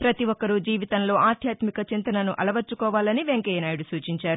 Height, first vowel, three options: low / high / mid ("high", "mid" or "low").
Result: low